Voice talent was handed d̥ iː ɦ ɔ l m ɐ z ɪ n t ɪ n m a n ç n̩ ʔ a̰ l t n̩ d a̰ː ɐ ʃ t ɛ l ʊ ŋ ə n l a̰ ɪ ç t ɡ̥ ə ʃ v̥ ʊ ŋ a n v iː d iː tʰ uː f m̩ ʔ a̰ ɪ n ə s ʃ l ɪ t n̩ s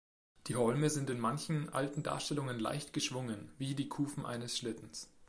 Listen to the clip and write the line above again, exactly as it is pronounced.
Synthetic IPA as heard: d̥ iː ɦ ɔ l m ə z ɪ n t ɪ n m a n ç n̩ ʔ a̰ l t n̩ d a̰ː ɐ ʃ t ɛ l ʊ ŋ ə n l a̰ ɪ ç t ɡ̥ ə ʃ v̥ ʊ ŋ ə n v iː d iː kʰ uː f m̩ ʔ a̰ ɪ n ə s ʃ l ɪ t n̩ s